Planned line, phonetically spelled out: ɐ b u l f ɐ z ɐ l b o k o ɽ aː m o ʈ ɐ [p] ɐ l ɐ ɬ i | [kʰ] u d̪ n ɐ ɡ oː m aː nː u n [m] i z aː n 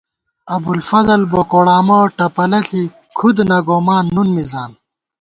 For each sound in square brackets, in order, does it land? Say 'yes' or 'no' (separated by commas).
yes, yes, yes